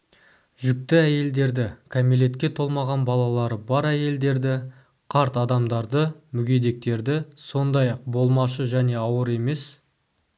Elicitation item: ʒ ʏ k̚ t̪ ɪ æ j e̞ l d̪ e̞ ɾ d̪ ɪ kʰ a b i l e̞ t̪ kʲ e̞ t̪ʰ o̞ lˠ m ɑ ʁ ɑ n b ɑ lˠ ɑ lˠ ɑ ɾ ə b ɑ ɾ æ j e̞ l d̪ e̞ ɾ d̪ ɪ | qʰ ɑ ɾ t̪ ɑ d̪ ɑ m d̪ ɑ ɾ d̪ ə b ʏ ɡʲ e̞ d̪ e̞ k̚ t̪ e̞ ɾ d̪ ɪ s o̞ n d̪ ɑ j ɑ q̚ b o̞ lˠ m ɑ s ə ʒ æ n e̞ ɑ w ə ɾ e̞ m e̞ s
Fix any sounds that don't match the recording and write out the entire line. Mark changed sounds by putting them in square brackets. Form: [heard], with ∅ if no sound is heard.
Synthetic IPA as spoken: ʒ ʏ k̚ t̪ ɪ æ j e̞ l d̪ e̞ ɾ d̪ ɪ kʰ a [m] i l e̞ t̪ kʲ e̞ t̪ʰ o̞ lˠ m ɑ ʁ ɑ n b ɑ lˠ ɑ lˠ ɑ ɾ ə b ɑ ɾ æ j e̞ l d̪ e̞ ɾ d̪ ɪ | qʰ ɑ ɾ t̪ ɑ d̪ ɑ m d̪ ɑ ɾ d̪ ə [m] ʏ ɡʲ e̞ d̪ e̞ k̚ t̪ e̞ ɾ d̪ ɪ s o̞ n d̪ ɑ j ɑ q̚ b o̞ lˠ m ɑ [ʃ] ə ʒ æ n e̞ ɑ w ə ɾ e̞ m e̞ s